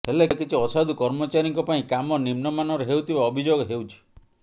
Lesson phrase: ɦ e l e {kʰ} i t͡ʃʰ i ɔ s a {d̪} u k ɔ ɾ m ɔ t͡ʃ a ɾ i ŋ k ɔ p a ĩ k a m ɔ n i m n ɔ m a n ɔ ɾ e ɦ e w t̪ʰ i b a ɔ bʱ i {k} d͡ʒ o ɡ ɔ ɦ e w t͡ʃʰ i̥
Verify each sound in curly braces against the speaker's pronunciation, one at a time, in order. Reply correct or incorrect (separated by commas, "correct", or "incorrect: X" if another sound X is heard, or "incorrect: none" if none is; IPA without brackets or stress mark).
incorrect: k, correct, incorrect: none